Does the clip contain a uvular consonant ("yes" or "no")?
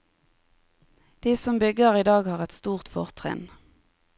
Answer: yes